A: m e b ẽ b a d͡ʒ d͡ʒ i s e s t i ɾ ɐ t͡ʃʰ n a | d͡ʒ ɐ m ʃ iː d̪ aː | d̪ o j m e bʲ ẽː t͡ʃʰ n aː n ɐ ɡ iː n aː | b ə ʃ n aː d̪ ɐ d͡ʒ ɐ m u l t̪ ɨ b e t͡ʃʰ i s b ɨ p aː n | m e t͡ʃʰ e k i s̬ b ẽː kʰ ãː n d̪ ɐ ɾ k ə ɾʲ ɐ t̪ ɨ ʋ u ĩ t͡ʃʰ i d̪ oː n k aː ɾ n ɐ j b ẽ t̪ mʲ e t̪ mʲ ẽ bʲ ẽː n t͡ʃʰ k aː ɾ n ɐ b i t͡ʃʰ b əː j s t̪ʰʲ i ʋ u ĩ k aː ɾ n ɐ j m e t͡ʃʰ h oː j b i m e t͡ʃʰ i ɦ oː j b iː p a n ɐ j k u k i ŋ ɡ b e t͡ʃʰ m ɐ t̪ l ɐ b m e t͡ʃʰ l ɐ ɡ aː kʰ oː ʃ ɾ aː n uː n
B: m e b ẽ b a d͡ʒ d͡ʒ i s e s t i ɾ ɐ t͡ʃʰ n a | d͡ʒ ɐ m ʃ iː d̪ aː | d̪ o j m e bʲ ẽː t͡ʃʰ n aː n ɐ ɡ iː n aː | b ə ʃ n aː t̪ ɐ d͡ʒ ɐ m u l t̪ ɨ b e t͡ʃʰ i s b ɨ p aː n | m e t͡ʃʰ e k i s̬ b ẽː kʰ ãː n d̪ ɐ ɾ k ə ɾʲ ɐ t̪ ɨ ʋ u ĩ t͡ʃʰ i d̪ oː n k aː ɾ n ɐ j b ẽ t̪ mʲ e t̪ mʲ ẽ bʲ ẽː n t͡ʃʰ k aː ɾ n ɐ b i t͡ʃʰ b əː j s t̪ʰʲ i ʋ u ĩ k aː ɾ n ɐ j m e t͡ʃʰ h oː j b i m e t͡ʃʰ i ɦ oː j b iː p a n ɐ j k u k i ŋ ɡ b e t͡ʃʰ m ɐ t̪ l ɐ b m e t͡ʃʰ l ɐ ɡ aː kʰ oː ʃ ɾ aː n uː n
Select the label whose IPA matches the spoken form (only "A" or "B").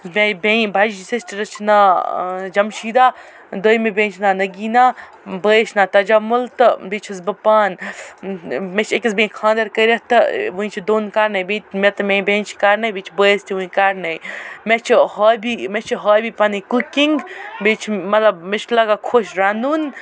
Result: B